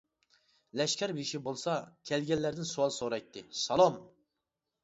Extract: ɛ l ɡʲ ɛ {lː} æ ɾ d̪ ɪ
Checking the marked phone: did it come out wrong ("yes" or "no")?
no